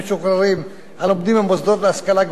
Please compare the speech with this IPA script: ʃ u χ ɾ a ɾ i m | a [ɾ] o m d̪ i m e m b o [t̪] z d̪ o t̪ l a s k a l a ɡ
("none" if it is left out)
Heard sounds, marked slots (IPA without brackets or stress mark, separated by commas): l, none